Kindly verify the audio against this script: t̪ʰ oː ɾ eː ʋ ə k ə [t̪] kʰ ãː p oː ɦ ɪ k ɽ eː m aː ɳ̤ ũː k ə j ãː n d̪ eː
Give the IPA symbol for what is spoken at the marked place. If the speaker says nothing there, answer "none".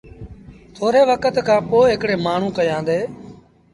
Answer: t̪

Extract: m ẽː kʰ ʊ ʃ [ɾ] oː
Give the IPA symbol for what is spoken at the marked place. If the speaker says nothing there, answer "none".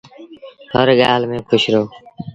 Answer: ɾ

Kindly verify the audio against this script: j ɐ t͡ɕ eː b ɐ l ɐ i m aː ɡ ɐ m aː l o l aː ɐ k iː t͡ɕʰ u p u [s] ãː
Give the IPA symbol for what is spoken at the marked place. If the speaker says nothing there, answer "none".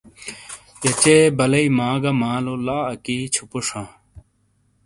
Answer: ʂ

